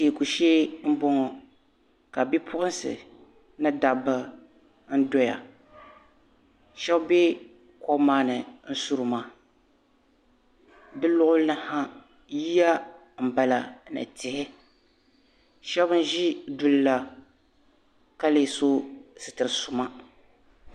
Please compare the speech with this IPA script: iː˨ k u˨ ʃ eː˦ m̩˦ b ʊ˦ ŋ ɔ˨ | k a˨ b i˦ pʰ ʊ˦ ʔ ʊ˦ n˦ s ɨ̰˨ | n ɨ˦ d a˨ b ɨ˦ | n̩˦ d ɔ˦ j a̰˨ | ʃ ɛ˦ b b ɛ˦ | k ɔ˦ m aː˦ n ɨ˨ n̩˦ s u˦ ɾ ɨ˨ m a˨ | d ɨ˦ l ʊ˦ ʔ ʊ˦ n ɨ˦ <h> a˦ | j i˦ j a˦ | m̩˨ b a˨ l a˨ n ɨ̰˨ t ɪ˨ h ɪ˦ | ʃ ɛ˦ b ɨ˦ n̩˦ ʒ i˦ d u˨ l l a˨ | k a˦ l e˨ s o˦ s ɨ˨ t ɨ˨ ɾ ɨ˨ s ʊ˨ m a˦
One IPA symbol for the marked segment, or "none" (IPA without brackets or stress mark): h